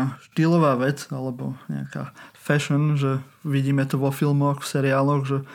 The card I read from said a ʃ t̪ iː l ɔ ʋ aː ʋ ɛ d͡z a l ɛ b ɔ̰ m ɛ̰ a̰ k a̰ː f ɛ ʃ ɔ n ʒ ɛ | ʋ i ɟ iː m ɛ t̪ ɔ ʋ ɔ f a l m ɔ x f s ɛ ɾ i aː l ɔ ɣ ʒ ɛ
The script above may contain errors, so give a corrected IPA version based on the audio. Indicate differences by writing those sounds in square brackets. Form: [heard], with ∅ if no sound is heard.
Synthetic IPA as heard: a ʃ t̪ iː l ɔ ʋ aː ʋ ɛ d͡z a l ɛ b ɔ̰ [ɲ] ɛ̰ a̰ k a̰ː f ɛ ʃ ɔ n ʒ ɛ | ʋ i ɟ iː m ɛ t̪ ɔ ʋ ɔ f [i] l m ɔ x f s ɛ ɾ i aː l ɔ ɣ ʒ ɛ